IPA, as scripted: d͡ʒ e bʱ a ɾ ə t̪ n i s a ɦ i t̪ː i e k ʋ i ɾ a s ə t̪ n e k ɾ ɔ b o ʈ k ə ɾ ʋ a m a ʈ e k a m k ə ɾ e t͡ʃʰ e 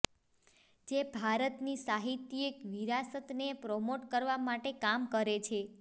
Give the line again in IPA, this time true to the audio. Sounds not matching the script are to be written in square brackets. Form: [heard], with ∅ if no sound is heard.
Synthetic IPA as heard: d͡ʒ e bʱ a ɾ ə t̪ n i s a ɦ i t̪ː i e k ʋ i ɾ a s ə t̪ n e [p] ɾ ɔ [m] o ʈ k ə ɾ ʋ a m a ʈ e k a m k ə ɾ e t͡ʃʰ e